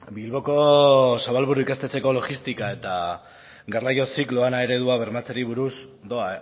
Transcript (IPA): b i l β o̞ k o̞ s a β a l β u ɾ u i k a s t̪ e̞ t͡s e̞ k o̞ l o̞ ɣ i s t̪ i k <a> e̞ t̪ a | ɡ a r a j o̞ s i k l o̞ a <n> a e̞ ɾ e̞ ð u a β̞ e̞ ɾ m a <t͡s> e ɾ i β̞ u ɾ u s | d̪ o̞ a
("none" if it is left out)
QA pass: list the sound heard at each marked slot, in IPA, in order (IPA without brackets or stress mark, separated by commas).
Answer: a, n, t͡s